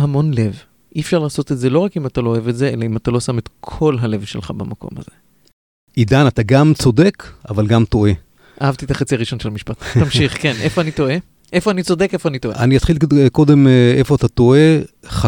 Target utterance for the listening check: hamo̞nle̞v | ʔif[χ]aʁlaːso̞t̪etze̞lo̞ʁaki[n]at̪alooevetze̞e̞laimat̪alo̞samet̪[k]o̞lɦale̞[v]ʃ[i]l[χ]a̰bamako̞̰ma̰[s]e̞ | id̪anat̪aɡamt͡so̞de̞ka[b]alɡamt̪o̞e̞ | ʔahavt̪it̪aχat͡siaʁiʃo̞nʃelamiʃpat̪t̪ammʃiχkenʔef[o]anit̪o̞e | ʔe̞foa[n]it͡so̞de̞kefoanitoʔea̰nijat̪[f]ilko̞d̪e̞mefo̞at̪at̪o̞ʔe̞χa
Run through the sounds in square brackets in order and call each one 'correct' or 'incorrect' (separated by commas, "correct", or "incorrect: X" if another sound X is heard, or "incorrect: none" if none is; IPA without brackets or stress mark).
incorrect: ʃ, incorrect: m, incorrect: kʰ, correct, incorrect: e, correct, incorrect: z, incorrect: v, correct, correct, incorrect: χ